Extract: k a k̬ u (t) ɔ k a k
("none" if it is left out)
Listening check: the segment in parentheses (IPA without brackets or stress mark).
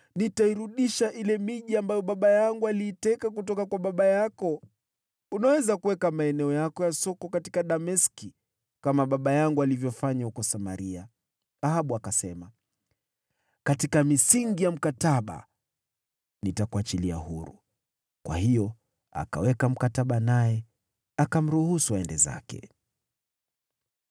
t